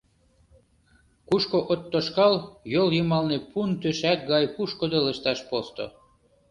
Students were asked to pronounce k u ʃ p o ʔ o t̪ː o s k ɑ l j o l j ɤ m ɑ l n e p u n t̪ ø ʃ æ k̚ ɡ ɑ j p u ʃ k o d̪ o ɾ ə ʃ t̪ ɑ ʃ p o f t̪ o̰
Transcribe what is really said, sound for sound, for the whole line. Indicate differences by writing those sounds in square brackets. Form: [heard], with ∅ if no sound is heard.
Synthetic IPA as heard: k u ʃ [k] o ʔ o t̪ː o [ʃ] k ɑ l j o l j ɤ m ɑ l n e p u n t̪ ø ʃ æ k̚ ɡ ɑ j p u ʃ k o d̪ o [l] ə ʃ t̪ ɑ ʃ p o [s] t̪ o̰